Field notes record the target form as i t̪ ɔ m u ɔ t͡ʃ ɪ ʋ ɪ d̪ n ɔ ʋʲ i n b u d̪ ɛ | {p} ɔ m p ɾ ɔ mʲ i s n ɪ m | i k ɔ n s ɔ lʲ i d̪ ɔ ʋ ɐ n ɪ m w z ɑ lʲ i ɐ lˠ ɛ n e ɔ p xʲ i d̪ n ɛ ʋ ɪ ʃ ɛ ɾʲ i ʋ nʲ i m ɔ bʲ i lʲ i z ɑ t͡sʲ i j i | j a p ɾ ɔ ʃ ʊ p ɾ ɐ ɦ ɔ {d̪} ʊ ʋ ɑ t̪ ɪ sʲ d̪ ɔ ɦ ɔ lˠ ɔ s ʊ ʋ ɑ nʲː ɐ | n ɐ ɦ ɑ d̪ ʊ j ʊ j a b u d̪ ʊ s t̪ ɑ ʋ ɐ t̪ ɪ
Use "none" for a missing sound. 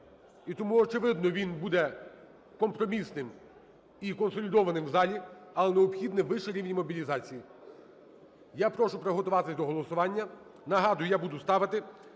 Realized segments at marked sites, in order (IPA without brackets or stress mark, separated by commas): k, t̪